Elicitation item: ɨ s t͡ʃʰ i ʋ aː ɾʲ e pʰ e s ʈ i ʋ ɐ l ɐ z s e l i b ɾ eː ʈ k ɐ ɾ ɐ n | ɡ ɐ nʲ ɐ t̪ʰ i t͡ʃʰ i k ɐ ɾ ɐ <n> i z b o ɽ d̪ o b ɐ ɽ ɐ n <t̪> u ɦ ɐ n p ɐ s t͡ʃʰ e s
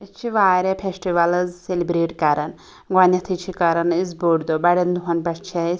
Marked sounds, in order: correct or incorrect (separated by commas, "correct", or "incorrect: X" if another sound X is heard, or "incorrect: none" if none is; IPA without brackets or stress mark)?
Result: correct, incorrect: d̪